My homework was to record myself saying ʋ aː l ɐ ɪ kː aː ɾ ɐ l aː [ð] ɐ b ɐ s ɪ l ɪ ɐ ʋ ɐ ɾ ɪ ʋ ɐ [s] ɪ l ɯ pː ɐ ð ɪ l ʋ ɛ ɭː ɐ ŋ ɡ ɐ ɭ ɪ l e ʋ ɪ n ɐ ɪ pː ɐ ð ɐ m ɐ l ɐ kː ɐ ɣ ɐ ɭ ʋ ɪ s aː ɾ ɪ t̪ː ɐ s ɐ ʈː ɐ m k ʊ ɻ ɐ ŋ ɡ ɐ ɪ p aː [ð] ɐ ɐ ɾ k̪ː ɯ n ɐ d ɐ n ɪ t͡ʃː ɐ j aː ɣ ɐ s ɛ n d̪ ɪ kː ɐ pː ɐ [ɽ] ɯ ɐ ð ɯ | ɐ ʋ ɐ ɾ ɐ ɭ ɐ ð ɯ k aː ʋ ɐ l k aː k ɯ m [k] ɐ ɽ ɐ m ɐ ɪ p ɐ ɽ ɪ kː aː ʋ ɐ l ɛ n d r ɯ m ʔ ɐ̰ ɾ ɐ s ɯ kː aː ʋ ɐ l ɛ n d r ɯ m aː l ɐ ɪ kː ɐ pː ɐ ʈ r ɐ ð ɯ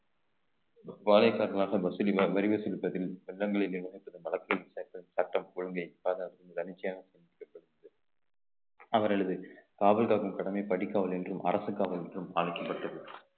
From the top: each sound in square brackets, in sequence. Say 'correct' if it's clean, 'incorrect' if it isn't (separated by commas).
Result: incorrect, correct, correct, correct, correct